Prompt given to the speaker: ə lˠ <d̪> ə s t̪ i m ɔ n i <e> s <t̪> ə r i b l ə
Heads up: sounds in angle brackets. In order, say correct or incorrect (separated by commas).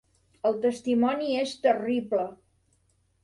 incorrect, correct, correct